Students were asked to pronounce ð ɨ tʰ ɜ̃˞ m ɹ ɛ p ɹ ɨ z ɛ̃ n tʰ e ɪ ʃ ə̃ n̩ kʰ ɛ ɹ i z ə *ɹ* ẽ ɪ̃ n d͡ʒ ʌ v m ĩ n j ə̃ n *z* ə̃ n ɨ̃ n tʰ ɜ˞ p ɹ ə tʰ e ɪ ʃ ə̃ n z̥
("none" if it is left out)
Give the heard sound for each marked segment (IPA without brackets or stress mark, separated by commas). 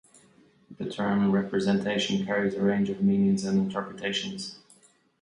ɹ, z